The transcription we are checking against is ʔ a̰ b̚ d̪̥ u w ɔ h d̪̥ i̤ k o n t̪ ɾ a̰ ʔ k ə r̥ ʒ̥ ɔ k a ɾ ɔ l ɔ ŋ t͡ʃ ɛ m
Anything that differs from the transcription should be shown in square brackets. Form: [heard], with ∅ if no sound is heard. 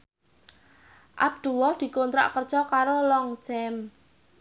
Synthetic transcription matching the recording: ʔ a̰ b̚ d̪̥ u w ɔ h d̪̥ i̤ k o n t̪ ɾ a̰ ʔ k ə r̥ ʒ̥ ɔ k a ɾ [o] l ɔ ŋ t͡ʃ ɛ m